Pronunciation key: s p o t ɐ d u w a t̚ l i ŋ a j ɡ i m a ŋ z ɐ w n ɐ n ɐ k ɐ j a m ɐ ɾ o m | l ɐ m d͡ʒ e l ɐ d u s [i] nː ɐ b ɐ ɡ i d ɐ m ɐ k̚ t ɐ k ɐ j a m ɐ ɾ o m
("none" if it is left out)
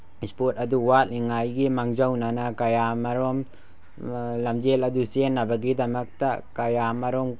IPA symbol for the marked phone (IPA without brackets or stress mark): e